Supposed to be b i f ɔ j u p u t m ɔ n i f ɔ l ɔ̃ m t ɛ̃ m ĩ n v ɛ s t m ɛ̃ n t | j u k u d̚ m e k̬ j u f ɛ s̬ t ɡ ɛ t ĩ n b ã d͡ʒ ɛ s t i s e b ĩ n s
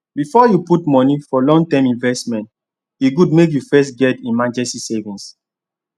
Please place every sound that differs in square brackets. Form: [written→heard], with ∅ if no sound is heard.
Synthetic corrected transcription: b i f ɔ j u p u t m ɔ n i f ɔ l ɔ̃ [m→ŋ] t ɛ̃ m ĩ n v ɛ s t m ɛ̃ n t | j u [k→ɡ] u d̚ m e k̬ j u f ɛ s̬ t ɡ ɛ t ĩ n [b→m] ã d͡ʒ ɛ s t i s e [b→v] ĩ n s